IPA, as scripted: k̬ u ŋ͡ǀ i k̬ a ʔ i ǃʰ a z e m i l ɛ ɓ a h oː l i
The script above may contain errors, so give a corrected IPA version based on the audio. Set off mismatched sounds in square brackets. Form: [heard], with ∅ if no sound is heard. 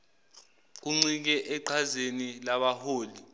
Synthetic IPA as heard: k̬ u ŋ͡ǀ i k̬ [ɛ] ʔ [ɛ] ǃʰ a z e [n] i l [a] ɓ a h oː l i